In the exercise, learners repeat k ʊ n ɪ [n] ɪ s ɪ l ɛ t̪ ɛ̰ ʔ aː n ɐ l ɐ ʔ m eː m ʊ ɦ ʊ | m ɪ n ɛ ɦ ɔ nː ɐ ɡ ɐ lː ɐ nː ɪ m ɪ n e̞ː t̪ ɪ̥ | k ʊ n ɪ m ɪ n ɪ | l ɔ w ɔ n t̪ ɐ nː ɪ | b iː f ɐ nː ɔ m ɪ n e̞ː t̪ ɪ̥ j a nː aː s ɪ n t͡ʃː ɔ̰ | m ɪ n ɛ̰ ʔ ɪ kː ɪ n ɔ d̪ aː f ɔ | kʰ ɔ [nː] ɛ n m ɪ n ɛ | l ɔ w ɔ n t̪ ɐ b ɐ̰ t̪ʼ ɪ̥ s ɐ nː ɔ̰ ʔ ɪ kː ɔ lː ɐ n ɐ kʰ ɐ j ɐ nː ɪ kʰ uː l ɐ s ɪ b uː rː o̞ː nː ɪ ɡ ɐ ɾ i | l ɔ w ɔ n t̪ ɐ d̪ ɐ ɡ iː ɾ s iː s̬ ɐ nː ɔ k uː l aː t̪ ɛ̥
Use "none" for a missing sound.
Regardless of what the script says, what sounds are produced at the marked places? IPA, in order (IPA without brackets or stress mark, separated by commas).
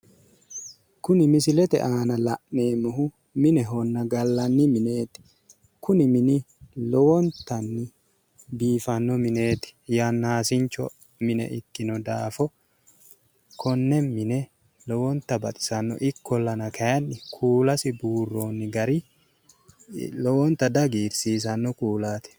m, nː